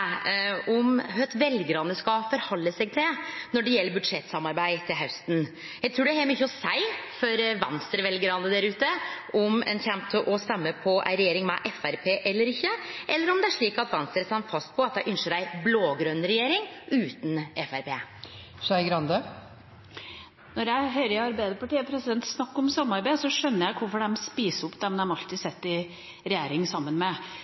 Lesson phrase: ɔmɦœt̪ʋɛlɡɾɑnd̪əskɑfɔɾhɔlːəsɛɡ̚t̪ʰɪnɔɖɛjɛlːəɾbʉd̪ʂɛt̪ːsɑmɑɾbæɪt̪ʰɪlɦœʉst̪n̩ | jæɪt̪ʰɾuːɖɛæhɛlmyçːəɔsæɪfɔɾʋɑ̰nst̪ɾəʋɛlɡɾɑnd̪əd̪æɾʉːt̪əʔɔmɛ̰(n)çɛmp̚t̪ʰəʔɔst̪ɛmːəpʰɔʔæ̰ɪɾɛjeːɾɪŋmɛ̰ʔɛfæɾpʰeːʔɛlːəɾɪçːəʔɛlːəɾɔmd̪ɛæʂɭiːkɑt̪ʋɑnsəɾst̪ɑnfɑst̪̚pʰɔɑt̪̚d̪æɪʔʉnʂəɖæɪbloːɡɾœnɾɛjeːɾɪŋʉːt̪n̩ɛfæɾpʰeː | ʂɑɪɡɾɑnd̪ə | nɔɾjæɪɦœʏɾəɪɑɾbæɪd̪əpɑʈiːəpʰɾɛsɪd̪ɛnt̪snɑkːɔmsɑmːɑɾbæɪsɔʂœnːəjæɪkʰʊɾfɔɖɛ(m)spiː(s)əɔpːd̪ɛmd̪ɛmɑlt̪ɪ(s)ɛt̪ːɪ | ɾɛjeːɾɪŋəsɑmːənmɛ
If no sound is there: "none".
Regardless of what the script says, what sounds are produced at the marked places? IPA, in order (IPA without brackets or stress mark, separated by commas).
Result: n, m, s, s